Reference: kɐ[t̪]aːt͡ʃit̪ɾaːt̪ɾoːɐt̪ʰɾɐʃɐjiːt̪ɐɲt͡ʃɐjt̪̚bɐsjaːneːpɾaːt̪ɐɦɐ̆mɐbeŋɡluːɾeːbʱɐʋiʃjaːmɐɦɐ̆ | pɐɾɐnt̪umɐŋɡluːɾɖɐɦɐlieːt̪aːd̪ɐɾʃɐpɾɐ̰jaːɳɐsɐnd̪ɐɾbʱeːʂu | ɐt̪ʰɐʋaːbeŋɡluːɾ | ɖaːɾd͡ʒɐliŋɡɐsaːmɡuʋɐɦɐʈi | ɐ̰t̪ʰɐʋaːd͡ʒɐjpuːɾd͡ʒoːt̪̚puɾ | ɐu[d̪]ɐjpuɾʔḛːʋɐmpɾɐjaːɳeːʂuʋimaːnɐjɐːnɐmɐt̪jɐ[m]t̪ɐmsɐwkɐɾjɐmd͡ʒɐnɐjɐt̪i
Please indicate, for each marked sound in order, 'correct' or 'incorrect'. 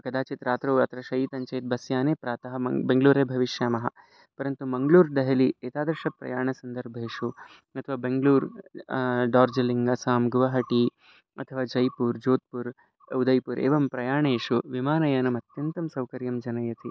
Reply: incorrect, correct, incorrect

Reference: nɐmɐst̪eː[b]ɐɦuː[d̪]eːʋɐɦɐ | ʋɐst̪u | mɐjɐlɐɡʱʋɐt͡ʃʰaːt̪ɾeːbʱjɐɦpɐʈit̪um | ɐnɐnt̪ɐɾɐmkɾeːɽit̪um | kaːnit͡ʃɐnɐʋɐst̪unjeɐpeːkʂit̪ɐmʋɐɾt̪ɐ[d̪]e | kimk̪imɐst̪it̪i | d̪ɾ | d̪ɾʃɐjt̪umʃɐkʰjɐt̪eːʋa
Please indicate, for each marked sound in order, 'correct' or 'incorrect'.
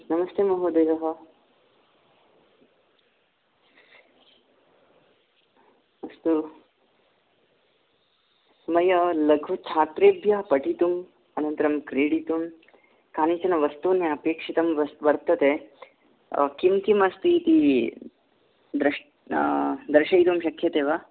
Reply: incorrect, correct, incorrect

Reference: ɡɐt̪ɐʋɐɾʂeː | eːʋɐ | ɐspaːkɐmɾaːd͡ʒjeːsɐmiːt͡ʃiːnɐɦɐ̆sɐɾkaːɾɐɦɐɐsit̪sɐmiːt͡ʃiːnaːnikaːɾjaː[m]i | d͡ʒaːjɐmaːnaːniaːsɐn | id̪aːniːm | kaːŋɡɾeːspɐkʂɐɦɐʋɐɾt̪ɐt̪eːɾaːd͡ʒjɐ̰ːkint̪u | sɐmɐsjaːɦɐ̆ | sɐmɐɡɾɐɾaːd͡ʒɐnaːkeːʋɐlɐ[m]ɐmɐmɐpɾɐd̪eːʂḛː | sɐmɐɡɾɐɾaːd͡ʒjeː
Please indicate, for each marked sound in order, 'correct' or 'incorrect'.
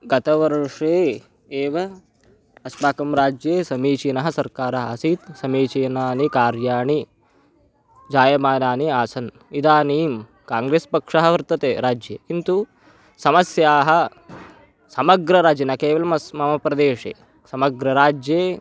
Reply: incorrect, correct

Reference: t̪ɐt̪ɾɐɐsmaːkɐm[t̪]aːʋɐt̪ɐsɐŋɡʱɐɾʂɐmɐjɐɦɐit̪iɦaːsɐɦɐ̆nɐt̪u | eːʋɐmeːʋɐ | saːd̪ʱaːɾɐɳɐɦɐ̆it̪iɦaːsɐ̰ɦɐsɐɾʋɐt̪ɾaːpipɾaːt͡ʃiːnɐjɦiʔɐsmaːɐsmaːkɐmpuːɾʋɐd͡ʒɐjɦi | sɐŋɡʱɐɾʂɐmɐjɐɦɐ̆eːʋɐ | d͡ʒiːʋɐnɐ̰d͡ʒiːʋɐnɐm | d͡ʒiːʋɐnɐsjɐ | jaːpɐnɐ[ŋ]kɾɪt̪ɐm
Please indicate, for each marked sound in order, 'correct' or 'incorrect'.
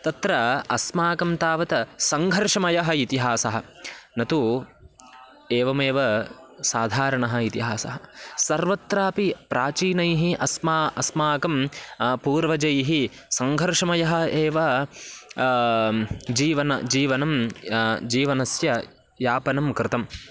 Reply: correct, incorrect

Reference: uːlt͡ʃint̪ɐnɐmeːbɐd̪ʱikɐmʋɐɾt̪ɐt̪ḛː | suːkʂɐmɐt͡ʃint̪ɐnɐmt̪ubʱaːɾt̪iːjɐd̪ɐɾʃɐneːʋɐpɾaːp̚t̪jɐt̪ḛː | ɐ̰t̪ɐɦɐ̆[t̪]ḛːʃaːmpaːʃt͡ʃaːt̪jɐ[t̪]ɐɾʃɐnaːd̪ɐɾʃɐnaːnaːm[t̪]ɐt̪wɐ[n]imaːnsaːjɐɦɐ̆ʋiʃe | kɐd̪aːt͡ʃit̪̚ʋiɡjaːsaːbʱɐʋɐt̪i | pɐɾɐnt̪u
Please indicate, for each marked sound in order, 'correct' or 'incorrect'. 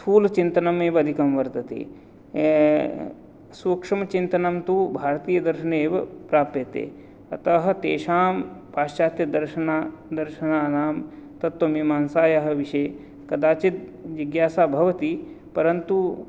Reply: correct, incorrect, correct, incorrect

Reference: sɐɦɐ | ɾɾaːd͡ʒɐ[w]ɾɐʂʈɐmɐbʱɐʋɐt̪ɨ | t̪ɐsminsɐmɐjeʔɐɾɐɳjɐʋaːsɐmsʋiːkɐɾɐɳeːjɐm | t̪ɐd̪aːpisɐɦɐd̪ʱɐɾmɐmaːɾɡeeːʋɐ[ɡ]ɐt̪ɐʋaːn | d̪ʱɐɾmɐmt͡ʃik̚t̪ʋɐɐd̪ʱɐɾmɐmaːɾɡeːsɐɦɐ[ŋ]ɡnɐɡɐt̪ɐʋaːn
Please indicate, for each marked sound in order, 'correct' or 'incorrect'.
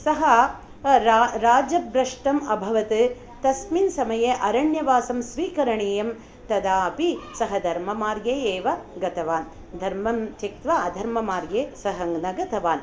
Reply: incorrect, correct, correct

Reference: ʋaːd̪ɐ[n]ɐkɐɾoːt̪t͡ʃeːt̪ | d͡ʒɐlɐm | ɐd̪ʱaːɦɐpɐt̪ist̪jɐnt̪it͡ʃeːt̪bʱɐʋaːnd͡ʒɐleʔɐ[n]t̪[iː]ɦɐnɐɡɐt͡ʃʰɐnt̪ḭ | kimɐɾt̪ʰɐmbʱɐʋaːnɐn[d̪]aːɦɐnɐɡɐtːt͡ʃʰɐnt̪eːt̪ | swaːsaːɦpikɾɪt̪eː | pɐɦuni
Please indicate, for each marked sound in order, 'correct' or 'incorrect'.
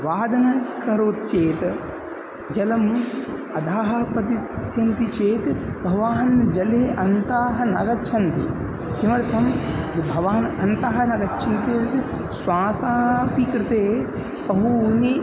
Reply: correct, correct, incorrect, incorrect

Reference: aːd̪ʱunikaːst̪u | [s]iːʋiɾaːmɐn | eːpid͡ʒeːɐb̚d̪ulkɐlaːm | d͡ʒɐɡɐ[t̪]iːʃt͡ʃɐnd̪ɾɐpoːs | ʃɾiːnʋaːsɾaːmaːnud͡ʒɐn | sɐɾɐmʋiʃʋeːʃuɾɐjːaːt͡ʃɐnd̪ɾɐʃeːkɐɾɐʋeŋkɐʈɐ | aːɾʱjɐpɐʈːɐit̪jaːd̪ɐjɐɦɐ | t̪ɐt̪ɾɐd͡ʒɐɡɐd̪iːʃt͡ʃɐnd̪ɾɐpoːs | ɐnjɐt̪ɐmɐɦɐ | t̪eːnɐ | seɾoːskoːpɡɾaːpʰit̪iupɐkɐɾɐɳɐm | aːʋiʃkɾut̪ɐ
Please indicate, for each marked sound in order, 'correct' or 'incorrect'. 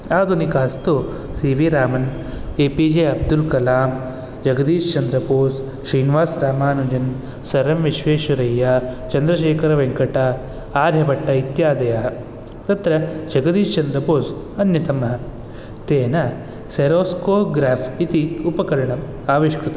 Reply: correct, incorrect

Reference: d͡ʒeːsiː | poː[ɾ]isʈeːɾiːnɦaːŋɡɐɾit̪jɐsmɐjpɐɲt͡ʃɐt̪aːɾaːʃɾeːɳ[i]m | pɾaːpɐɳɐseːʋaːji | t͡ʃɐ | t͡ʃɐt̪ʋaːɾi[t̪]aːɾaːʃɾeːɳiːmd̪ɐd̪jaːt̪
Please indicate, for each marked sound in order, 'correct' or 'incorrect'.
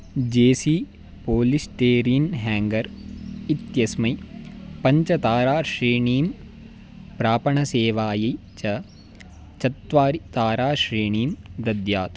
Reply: incorrect, incorrect, correct

